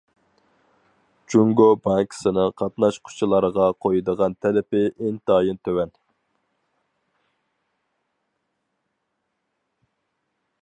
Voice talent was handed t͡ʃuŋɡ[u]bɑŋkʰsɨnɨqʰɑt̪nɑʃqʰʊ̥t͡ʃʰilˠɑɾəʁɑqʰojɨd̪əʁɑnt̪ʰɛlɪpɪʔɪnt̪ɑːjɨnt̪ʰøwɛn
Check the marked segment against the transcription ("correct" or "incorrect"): incorrect